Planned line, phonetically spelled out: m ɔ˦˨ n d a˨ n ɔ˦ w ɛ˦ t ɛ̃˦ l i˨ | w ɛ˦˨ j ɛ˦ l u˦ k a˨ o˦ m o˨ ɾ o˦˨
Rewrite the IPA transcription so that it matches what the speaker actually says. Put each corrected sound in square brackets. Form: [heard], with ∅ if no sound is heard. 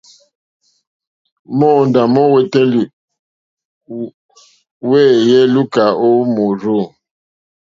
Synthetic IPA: m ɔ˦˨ n d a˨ [m] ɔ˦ w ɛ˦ t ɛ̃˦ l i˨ | w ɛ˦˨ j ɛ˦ l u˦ k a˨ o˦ m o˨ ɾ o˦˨